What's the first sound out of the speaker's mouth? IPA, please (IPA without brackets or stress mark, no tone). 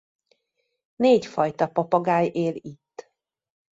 n